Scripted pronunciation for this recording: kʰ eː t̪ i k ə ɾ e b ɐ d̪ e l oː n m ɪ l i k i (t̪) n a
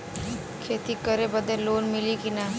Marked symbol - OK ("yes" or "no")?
no